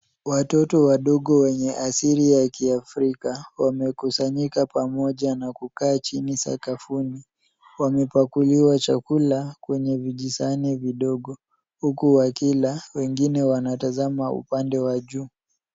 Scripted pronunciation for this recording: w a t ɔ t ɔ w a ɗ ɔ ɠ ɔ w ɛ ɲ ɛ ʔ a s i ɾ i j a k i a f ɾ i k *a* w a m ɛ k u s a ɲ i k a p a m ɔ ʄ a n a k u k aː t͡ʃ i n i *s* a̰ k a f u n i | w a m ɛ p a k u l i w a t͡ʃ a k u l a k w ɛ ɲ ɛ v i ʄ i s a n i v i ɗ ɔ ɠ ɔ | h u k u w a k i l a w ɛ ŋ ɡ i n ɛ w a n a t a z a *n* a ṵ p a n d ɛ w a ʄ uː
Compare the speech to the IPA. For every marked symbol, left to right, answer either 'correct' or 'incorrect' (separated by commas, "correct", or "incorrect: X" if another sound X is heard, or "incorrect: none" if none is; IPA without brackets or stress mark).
correct, correct, incorrect: m